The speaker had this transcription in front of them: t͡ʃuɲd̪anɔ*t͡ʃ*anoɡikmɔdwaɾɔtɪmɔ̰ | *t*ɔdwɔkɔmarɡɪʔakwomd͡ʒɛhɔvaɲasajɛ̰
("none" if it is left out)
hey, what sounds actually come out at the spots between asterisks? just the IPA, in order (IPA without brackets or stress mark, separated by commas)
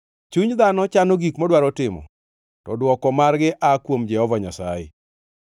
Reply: t͡ʃ, t